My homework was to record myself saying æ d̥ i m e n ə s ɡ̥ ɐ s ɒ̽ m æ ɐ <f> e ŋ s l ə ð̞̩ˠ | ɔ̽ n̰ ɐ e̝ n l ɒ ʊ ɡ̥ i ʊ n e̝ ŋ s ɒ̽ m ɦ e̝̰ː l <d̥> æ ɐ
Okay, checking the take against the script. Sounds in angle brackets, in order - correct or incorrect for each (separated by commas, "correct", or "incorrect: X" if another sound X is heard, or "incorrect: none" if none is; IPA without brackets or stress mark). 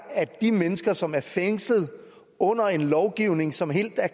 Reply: correct, correct